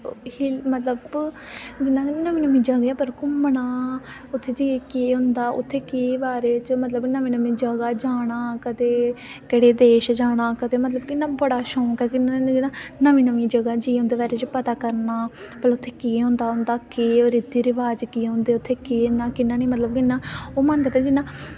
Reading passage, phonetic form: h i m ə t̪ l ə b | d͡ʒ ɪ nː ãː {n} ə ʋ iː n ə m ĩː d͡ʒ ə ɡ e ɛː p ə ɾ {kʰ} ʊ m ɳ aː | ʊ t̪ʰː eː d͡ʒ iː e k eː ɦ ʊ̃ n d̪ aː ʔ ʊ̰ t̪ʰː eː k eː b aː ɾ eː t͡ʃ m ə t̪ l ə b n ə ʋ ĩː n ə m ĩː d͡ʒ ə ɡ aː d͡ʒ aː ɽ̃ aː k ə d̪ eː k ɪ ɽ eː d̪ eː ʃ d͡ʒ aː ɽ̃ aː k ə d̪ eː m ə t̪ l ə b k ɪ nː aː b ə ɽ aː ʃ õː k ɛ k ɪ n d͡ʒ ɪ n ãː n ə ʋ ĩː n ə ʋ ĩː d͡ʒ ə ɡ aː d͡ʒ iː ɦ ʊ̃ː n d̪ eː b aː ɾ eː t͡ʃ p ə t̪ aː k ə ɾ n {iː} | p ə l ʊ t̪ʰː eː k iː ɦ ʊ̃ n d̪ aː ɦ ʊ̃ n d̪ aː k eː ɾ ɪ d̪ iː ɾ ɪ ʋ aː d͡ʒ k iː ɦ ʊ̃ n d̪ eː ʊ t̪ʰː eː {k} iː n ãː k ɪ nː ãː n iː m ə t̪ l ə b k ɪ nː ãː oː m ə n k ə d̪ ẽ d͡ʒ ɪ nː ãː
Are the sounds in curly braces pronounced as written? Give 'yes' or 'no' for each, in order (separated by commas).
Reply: yes, no, no, yes